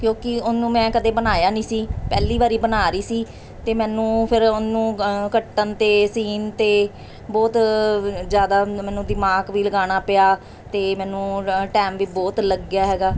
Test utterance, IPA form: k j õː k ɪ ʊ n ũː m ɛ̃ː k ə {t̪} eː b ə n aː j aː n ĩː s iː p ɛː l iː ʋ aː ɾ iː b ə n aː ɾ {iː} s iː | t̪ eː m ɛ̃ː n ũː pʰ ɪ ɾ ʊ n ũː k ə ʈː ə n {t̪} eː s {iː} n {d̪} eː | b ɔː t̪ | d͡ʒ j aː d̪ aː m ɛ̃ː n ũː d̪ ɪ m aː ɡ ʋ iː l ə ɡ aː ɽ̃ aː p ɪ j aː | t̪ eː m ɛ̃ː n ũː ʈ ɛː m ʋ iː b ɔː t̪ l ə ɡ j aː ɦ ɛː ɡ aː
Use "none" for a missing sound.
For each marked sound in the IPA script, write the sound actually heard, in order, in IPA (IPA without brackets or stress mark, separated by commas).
d̪, iː, t̪, iː, t̪